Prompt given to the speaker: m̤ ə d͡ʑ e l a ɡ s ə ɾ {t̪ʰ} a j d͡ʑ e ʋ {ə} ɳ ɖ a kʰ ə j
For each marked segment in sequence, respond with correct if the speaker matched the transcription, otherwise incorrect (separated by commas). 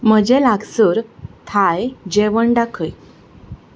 correct, correct